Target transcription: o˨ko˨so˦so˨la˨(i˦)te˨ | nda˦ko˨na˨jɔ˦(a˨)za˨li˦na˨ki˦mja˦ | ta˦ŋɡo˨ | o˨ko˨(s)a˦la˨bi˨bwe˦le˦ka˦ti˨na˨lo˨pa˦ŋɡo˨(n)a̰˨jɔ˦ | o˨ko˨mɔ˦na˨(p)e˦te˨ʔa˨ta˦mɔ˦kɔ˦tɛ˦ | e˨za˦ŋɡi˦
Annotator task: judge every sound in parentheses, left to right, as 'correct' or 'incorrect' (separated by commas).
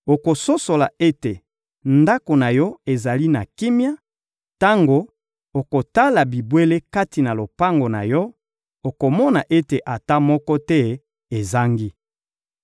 incorrect, incorrect, incorrect, correct, incorrect